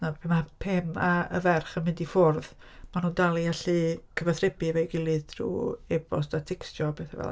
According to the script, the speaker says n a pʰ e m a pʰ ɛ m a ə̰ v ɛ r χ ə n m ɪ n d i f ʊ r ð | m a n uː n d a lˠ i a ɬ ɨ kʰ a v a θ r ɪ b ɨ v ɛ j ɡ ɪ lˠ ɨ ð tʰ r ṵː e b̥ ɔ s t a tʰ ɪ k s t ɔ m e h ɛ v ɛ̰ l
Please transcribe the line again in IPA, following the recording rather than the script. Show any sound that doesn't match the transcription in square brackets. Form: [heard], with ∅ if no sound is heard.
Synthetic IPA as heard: n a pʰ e m a pʰ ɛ m a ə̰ v ɛ r χ ə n m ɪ n d i f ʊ r ð | m a n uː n d a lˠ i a ɬ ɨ kʰ [ə] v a θ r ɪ b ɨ v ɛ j ɡ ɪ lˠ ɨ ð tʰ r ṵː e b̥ ɔ s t a tʰ ɪ k s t ɔ [b] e [θ] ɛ v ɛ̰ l